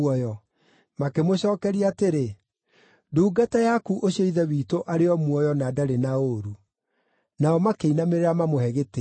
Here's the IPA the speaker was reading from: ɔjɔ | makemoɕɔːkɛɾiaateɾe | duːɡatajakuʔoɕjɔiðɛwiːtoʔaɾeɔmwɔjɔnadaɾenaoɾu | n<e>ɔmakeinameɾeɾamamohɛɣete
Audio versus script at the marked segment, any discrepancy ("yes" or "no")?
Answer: yes